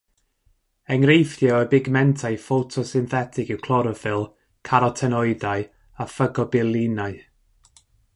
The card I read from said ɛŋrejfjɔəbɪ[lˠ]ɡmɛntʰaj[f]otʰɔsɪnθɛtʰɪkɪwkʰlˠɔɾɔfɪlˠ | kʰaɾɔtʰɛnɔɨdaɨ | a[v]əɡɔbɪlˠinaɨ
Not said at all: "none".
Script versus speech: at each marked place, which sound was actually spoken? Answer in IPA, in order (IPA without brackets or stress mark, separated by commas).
none, f, f